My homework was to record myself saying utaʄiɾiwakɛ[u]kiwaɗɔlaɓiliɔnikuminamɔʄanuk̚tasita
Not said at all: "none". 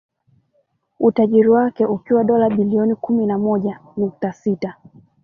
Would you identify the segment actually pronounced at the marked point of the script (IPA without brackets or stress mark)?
u